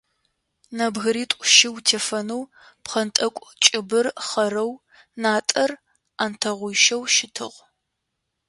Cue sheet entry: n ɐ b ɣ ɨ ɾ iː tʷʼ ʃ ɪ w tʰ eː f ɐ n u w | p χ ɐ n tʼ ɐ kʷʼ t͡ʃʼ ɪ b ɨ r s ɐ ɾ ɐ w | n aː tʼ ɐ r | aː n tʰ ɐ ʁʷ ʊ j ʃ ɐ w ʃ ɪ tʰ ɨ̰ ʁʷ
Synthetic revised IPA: n ɐ b ɣ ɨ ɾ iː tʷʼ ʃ ɪ w tʰ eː f ɐ n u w | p χ ɐ n tʼ ɐ kʷʼ t͡ʃʼ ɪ b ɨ r χ ɐ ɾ ɐ w | n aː tʼ ɐ r | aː n tʰ ɐ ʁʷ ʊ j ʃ ɐ w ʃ ɪ tʰ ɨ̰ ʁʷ